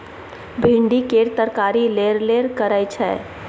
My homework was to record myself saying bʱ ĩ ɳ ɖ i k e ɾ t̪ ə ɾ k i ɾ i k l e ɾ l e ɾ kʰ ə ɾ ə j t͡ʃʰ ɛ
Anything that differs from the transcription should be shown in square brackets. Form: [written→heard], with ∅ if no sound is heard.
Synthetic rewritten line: bʱ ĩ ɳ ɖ i k e ɾ t̪ ə ɾ k [i→a] ɾ i [k→∅] l e ɾ l e ɾ [kʰ→k] ə ɾ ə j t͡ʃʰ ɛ